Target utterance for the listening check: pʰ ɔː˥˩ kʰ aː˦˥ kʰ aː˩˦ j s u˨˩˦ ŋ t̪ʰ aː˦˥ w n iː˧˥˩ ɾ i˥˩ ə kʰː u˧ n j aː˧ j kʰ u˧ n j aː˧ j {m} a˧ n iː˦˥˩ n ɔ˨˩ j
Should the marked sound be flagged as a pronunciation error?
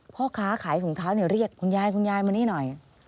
no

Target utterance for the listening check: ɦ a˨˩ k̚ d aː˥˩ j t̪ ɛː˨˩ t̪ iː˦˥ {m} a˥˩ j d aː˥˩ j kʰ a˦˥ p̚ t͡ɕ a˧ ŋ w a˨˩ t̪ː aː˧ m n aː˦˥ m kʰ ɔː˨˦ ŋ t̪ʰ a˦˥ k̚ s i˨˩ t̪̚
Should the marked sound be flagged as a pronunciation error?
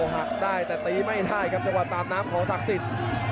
no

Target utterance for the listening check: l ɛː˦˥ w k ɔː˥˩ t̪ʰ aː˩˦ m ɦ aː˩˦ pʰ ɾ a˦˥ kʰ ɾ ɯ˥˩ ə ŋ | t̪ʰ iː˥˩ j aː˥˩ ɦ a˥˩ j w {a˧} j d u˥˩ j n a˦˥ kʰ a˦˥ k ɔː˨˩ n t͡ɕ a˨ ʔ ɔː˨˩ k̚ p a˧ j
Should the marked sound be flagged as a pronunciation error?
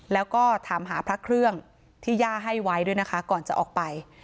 yes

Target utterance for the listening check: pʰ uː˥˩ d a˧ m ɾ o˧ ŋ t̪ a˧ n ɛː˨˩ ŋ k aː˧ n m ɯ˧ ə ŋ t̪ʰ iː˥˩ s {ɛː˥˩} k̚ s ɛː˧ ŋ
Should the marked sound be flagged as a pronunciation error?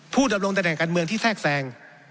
no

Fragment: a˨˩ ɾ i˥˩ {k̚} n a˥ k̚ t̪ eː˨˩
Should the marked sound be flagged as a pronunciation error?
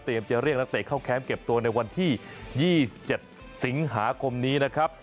no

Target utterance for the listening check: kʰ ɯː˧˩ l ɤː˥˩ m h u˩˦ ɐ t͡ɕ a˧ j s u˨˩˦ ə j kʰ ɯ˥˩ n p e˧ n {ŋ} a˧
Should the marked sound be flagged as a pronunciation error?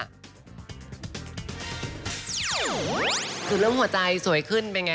no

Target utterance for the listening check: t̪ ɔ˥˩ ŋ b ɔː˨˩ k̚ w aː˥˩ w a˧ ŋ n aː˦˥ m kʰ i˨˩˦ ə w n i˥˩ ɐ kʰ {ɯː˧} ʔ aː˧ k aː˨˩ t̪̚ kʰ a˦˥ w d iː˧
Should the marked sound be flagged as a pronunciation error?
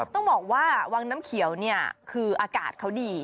no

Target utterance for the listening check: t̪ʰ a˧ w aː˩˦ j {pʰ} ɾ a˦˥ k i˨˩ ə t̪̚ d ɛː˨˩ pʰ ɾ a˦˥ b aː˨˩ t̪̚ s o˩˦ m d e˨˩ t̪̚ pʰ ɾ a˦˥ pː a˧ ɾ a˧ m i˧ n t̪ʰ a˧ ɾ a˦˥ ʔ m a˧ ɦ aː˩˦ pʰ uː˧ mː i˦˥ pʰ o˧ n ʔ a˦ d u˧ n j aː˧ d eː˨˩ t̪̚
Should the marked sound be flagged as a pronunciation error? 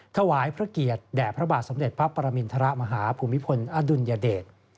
no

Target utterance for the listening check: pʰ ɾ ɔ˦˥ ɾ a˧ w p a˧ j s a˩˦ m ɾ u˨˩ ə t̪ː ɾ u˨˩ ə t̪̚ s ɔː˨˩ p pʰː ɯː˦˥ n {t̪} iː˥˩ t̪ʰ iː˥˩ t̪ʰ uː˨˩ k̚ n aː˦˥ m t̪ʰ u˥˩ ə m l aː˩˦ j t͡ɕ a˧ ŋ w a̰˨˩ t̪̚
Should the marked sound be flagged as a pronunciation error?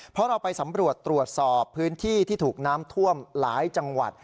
yes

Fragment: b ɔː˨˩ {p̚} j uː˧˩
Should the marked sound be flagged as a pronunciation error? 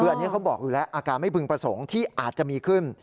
yes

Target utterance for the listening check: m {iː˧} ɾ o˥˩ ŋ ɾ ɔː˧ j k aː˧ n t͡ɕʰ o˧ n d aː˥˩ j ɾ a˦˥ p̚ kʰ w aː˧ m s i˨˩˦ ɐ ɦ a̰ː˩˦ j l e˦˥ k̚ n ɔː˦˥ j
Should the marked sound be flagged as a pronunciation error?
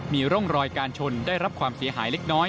no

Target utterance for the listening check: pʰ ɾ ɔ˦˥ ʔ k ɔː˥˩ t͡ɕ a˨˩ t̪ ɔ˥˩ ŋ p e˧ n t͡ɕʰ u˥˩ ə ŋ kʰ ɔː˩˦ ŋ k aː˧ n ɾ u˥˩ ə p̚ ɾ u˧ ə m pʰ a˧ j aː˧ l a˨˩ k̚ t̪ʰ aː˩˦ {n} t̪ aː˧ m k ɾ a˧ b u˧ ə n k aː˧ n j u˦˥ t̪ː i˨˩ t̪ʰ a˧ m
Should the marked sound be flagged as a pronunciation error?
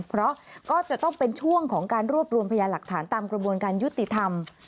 no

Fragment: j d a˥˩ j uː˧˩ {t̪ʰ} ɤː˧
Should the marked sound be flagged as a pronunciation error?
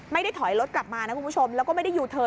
no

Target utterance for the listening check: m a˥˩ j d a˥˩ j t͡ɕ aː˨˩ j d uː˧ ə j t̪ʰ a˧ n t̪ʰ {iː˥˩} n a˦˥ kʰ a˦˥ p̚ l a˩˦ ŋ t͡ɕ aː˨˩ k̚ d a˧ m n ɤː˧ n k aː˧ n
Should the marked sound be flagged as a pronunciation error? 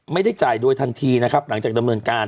yes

